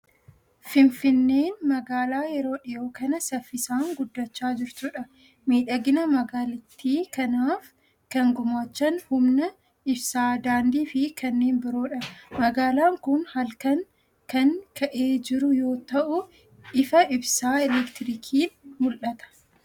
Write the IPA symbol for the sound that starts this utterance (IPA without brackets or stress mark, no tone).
f